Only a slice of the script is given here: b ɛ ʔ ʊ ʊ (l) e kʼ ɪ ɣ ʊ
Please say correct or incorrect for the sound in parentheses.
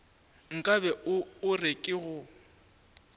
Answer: incorrect